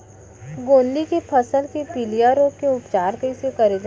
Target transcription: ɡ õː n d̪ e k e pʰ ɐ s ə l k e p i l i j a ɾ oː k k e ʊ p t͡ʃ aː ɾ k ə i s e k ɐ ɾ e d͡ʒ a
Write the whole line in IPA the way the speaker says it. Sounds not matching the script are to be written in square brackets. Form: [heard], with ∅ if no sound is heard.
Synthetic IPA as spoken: ɡ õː n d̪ [i] k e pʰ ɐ s ə l k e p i l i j a ɾ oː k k e ʊ p t͡ʃ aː ɾ k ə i s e k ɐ ɾ e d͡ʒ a